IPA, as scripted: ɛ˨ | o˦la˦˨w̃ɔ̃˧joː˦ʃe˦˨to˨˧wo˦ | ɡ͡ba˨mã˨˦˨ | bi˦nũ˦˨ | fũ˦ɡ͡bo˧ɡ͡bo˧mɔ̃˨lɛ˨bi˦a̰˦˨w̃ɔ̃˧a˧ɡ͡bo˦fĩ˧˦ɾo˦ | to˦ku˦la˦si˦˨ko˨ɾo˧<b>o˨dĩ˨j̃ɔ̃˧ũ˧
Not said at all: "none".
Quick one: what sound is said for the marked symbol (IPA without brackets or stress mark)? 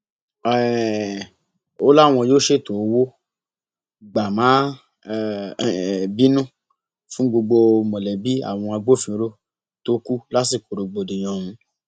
ɡ͡b